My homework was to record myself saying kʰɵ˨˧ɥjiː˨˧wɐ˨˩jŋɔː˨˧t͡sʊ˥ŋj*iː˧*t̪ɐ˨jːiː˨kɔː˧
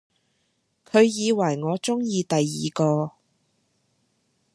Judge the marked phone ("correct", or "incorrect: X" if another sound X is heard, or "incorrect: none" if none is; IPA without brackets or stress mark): correct